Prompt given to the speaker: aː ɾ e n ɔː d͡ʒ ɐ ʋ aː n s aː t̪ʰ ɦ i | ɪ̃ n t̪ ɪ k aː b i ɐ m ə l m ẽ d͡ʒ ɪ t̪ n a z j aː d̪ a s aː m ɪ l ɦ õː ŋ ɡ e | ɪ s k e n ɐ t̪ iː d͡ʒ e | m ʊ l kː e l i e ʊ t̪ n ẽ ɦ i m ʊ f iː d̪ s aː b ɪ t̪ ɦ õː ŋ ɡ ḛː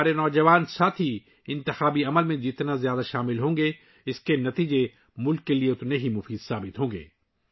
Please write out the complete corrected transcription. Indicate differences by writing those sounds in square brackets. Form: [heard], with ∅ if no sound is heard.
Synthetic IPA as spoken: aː ɾ e n ɔː d͡ʒ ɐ ʋ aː n s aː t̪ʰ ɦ i | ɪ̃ n t̪ ɪ [x] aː b i ɐ m ə l m ẽ d͡ʒ ɪ t̪ n a z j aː d̪ a [ʃ] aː m ɪ l ɦ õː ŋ ɡ e | ɪ s k e n ɐ t̪ iː d͡ʒ e | m ʊ l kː e l i e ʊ t̪ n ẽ ɦ i m ʊ f iː d̪ s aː b ɪ t̪ ɦ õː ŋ ɡ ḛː